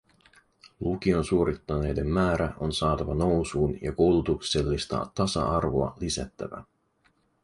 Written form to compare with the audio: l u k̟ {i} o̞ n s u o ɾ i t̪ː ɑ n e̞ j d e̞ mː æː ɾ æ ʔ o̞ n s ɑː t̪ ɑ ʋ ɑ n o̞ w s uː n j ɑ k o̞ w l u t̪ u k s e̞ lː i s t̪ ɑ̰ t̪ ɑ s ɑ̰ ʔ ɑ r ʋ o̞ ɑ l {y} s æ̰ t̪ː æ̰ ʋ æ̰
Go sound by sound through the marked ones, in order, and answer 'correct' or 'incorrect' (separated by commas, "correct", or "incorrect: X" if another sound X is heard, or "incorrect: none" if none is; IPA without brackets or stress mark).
correct, incorrect: i